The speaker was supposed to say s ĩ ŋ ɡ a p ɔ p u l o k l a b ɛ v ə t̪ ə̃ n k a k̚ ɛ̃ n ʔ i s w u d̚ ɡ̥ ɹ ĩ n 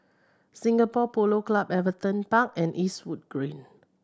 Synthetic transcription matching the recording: s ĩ ŋ ɡ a p ɔ p o l o k l a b ɛ v ə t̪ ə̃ n p a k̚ ɛ̃ n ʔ i s w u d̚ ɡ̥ ɹ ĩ n